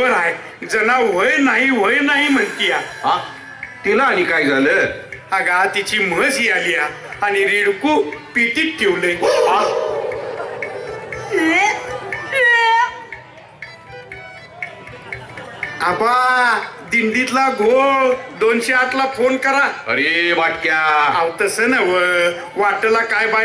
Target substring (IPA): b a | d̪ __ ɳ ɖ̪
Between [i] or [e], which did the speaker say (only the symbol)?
i